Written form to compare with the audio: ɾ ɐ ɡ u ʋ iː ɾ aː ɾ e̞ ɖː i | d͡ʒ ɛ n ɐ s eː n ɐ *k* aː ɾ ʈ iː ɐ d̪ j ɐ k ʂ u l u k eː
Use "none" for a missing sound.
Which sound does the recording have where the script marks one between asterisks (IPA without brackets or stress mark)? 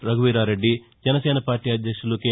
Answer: p